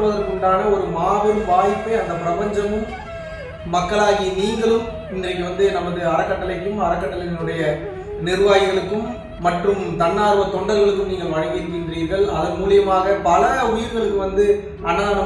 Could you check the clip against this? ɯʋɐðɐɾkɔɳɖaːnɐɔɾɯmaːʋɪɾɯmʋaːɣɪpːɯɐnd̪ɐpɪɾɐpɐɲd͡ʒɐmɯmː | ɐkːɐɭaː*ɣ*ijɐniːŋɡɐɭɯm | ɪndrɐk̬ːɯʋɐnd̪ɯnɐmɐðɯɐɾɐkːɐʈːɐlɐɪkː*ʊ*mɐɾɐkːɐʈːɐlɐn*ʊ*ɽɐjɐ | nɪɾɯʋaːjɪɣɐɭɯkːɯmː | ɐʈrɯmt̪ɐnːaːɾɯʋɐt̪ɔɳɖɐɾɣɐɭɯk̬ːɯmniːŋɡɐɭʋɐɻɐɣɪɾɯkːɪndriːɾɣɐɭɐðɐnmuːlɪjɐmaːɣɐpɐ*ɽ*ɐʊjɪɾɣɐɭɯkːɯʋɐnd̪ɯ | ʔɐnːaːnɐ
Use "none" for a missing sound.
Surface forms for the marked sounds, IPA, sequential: ɣ, ɯ, ɯ, l

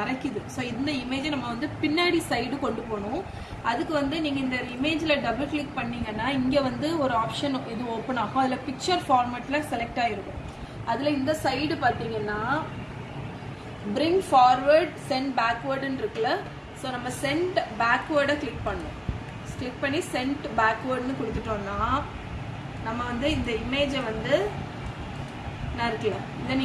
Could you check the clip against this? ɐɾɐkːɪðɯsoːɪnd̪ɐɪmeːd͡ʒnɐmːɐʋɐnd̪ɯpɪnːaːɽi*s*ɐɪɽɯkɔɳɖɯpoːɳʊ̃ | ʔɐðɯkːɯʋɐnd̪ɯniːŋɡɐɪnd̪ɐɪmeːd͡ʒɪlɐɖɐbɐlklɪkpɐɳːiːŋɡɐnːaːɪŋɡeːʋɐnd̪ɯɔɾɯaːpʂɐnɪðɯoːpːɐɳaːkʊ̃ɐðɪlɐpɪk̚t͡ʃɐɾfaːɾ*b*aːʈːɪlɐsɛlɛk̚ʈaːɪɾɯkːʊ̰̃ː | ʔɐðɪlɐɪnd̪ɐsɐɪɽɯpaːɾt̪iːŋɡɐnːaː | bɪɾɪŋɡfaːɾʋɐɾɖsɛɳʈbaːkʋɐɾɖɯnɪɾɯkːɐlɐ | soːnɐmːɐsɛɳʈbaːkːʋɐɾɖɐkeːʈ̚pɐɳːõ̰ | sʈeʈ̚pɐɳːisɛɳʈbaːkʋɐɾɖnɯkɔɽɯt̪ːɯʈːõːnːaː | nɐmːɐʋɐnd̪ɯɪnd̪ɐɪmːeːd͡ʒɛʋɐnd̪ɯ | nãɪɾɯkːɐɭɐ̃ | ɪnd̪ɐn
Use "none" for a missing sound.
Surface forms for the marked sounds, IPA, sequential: s, m

